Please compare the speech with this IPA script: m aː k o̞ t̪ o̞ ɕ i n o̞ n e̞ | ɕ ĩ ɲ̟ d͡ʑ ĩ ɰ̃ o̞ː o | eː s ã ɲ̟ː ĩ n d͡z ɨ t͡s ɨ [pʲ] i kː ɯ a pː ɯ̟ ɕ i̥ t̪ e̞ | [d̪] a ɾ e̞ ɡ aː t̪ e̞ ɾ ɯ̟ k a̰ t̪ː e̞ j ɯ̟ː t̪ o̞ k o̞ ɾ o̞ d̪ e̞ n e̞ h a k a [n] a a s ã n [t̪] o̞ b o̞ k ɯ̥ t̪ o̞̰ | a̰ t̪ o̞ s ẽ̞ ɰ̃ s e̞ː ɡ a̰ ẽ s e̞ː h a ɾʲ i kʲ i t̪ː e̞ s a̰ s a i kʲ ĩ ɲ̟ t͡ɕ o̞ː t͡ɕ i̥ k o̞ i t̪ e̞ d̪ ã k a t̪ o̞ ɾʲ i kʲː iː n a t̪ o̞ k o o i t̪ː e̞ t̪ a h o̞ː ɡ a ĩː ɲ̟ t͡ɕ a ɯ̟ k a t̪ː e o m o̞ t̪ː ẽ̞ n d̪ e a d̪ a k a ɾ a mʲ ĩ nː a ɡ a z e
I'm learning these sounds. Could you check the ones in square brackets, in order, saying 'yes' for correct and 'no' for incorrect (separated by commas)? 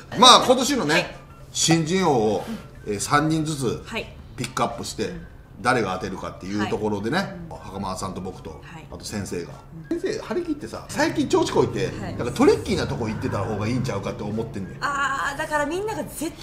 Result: yes, yes, no, yes